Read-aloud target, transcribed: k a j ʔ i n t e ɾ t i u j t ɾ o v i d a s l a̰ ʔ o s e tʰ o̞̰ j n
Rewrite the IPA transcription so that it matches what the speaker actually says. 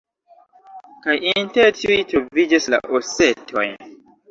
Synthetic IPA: k a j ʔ i n t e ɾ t i u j t ɾ o v i d͡ʒ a s l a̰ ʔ o s e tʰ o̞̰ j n